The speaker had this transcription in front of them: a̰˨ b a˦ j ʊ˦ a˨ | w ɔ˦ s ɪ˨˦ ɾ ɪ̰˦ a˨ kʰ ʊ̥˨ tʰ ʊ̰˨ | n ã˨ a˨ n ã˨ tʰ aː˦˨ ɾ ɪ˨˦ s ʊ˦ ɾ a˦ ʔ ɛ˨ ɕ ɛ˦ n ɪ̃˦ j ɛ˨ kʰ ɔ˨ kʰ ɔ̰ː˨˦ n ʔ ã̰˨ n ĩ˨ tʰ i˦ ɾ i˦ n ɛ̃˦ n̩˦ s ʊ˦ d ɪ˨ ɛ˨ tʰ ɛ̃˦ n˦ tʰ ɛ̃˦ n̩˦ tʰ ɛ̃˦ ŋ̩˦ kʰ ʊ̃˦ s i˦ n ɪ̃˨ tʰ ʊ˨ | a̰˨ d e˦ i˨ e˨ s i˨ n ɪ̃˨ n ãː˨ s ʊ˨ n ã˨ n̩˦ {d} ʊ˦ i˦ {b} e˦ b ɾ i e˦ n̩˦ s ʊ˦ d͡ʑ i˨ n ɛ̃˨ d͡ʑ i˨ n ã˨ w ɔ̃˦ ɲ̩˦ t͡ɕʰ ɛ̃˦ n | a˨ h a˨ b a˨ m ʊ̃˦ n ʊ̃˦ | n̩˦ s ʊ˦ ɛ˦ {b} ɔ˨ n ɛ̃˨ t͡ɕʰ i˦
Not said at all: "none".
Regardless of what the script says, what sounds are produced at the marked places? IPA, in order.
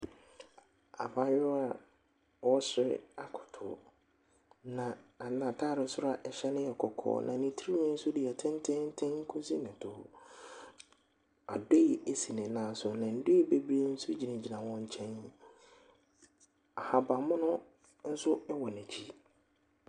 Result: d, b, w

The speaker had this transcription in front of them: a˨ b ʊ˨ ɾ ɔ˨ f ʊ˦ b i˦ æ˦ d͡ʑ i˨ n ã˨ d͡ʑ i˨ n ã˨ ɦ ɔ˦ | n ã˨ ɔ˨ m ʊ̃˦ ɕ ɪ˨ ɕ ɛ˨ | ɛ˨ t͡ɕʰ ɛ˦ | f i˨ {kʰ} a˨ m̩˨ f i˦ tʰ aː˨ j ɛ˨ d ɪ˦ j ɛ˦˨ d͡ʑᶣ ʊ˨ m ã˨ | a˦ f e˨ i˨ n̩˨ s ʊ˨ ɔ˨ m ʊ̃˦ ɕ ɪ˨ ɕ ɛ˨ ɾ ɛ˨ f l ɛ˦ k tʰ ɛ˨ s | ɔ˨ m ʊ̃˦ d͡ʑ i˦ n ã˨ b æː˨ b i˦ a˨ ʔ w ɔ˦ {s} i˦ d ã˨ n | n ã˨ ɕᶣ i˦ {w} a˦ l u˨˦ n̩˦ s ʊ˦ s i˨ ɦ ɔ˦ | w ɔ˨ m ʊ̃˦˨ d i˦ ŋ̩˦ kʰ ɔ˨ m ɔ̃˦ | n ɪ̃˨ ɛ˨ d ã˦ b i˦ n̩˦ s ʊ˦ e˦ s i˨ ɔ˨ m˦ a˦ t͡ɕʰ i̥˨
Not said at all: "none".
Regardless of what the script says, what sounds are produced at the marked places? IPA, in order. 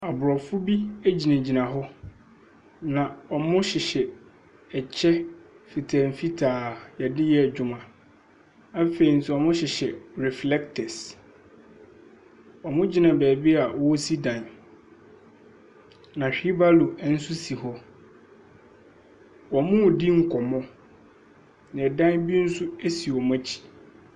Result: tʰ, s, b

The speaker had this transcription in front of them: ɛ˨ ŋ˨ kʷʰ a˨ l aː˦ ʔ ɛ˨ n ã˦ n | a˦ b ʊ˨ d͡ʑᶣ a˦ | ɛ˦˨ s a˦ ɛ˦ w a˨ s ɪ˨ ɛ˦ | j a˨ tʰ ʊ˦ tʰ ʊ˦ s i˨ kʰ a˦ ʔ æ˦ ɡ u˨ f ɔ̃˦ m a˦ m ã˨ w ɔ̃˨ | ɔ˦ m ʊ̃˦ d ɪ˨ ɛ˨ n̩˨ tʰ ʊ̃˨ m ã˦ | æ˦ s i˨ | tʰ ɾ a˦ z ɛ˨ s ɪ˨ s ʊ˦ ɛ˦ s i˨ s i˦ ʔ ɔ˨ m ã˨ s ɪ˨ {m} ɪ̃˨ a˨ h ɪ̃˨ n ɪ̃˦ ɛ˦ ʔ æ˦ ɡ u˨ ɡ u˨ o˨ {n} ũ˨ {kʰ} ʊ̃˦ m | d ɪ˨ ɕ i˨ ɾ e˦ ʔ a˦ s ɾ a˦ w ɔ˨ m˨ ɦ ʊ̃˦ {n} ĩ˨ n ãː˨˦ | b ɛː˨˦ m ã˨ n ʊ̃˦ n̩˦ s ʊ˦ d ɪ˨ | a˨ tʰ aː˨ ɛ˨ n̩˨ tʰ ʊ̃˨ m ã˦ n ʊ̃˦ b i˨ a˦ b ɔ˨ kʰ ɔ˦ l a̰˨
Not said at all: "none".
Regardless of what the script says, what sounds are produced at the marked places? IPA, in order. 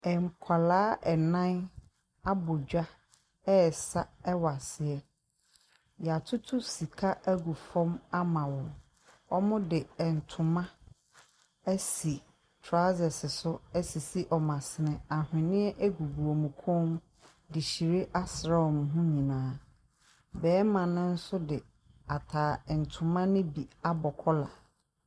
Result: n, m, kʰ, ɲ

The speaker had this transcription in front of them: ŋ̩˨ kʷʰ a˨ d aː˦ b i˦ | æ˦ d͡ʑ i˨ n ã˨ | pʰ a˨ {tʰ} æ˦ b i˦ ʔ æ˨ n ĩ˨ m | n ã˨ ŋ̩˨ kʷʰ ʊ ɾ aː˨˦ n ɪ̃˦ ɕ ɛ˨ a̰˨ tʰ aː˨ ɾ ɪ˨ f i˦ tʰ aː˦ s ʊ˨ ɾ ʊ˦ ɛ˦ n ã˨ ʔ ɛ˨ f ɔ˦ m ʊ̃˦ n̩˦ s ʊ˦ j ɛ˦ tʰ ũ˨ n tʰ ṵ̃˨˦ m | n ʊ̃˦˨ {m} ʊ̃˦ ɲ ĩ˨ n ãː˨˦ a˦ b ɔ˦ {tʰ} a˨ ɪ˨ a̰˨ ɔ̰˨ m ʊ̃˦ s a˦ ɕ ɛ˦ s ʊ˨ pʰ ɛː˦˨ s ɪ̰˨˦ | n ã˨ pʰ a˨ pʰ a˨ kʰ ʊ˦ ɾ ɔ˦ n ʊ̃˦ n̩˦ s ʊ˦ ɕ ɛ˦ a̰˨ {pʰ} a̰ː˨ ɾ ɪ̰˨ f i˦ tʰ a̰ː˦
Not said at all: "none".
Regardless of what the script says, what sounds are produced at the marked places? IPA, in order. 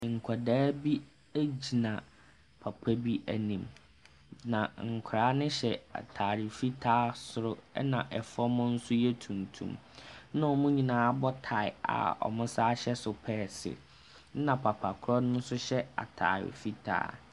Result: pʰ, m, tʰ, tʰ

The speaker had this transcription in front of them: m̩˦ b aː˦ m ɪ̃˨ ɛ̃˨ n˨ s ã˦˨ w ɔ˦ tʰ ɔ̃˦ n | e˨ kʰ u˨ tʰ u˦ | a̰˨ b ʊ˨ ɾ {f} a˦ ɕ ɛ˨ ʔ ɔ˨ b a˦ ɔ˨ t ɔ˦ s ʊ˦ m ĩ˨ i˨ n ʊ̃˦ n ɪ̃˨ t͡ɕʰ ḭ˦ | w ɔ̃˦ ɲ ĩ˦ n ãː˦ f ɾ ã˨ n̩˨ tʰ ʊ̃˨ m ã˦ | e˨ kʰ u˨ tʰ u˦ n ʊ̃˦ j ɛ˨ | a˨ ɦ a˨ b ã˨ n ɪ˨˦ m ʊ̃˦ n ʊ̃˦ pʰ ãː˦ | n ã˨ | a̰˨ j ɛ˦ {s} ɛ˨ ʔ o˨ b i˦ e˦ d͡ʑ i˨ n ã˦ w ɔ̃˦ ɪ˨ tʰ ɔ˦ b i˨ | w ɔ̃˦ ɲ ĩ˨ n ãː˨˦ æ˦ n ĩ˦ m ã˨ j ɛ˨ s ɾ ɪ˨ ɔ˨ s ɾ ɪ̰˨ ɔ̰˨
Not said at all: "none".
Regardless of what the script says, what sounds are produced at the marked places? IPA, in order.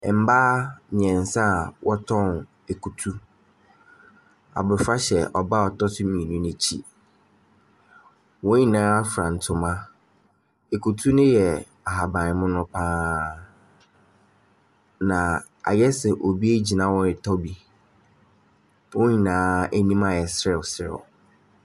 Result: f, s

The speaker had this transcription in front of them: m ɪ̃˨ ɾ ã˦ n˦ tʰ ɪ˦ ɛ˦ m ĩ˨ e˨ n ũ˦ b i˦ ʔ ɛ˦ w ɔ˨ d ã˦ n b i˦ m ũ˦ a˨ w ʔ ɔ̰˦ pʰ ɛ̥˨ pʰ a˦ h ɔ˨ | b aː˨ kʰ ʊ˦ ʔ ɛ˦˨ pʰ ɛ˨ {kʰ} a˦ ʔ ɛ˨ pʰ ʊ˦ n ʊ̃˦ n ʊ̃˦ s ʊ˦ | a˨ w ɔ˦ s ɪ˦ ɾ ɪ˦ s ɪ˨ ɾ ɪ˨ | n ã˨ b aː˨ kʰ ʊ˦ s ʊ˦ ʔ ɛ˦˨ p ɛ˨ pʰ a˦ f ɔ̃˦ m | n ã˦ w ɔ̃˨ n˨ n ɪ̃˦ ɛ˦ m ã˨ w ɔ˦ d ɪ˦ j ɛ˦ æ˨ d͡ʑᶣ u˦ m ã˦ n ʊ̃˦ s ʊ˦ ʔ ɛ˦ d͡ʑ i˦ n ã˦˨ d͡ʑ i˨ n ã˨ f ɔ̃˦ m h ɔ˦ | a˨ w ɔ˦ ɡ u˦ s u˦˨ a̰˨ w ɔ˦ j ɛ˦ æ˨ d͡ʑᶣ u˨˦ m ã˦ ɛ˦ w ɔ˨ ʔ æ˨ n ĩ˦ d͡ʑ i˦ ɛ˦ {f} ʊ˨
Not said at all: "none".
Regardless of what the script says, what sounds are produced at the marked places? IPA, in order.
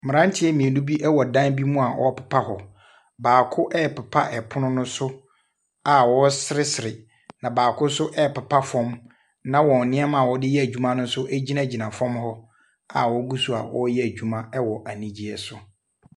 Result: pʰ, s

